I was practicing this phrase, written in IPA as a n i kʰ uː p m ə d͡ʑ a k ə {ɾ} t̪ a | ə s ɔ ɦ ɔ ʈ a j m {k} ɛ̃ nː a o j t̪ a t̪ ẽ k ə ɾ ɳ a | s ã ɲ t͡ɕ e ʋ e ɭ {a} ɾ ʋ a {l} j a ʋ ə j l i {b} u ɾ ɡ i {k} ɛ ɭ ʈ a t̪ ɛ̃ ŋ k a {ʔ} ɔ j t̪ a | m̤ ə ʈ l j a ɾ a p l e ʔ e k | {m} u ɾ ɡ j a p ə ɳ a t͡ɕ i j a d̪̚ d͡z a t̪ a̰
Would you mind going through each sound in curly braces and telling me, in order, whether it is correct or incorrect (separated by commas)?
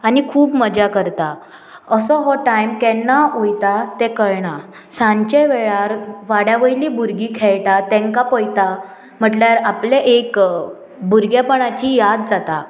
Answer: correct, correct, correct, incorrect, correct, incorrect, incorrect, incorrect